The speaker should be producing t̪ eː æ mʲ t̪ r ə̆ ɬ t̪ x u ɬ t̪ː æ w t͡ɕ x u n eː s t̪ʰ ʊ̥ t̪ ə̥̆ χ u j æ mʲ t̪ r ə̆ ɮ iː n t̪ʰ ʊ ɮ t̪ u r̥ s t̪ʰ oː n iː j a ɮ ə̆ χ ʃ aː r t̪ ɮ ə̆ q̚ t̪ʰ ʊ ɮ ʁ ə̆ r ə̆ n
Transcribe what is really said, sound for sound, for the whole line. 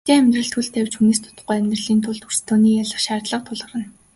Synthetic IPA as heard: t̪ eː æ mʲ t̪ r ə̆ ɬ t̪ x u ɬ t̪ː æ w t͡ɕ x u n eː s t̪ʰ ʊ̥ t̪ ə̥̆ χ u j æ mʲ t̪ r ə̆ ɮ iː n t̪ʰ ʊ ɮ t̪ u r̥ s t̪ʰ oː n iː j a ɮ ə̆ χ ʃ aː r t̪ ɮ ə̆ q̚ t̪ʰ ʊ ɮ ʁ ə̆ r ə̆ n